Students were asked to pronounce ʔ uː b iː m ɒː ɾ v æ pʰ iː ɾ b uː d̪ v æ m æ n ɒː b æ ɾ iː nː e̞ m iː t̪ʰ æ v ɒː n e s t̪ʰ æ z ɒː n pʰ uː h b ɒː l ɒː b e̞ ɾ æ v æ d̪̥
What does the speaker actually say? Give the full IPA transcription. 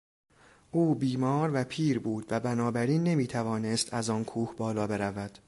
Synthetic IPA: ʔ uː b iː m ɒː ɾ v æ pʰ iː ɾ b uː d̪ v æ b æ n ɒː b æ ɾ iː nː e̞ m iː t̪ʰ æ v ɒː n e s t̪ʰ æ z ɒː n kʰ uː h b ɒː l ɒː b e̞ ɾ æ v æ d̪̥